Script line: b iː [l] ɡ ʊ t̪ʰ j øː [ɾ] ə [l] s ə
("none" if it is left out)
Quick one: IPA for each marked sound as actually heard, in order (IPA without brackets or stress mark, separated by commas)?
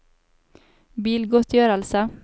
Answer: l, ɾ, l